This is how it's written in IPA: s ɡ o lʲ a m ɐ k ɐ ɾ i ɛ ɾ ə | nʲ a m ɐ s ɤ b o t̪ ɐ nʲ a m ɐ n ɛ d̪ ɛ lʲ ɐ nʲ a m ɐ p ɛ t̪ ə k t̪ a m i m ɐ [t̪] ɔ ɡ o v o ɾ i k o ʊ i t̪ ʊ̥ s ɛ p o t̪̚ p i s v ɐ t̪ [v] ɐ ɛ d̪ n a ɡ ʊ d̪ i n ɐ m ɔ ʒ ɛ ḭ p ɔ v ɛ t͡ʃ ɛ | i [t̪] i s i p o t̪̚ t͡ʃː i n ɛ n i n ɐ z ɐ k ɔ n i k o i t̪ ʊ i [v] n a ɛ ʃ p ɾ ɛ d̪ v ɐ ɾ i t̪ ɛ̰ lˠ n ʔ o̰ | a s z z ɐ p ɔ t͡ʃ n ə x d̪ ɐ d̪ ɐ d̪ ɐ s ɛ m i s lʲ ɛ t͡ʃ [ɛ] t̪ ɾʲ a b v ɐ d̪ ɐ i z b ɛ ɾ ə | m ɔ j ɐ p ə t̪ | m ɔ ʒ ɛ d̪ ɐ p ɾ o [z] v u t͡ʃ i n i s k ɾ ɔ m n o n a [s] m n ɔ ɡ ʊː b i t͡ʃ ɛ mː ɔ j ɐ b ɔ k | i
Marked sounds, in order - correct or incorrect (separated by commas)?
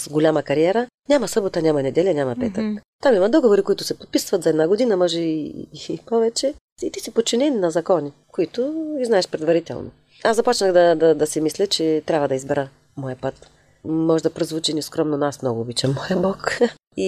incorrect, incorrect, correct, incorrect, correct, correct, correct